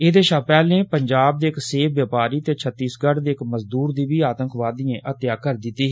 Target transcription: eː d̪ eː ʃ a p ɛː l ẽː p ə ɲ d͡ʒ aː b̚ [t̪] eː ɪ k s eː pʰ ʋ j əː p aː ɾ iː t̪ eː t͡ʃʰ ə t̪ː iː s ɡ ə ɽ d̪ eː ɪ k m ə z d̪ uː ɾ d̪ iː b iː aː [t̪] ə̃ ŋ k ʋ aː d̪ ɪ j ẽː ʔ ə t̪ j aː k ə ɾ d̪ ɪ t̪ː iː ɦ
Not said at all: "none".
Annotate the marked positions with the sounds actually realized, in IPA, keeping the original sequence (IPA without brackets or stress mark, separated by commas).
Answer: d̪, t̪